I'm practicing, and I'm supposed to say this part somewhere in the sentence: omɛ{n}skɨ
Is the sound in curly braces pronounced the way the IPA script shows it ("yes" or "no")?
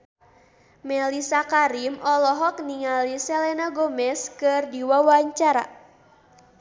no